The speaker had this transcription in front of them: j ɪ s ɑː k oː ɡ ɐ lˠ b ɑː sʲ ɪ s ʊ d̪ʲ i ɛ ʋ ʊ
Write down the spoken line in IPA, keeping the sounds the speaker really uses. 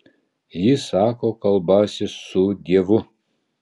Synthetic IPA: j ɪ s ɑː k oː k ɐ lˠ b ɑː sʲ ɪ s ʊ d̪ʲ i ɛ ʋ ʊ